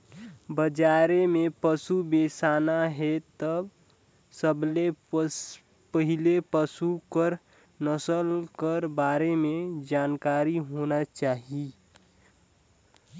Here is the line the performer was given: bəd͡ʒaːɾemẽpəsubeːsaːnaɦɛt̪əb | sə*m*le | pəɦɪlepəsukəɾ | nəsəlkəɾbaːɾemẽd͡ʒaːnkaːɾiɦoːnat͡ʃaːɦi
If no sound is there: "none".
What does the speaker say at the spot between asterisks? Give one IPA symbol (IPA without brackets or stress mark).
b